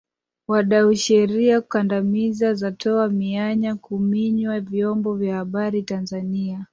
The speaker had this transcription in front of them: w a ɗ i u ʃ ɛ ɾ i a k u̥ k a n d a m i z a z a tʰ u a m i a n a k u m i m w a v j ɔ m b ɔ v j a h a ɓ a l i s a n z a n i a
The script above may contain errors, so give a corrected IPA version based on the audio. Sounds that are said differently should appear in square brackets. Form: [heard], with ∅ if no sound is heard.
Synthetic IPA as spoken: w a ɗ [a] u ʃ ɛ ɾ i a k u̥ k a n d a m i z a z a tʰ [ɔ] a m i a [ɲ] a k u m i [ɲ] w a v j ɔ m b ɔ v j a h a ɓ a [ɾ] i [t] a n z a n i a